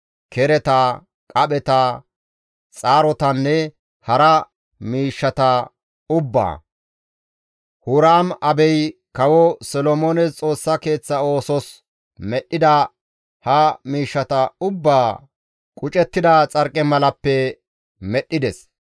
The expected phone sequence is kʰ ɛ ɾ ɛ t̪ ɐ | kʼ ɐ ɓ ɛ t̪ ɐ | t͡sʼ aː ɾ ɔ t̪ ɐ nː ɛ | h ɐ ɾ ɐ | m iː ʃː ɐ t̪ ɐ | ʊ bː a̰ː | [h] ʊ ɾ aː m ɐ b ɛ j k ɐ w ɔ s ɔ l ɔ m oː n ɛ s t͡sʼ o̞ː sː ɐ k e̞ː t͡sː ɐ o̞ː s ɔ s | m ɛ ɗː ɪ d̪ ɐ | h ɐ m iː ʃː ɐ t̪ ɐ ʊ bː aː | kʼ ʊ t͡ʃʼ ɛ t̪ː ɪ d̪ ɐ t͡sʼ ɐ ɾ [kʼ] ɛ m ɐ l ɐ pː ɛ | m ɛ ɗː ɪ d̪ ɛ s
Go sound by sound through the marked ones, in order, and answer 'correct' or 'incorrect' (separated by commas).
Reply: correct, correct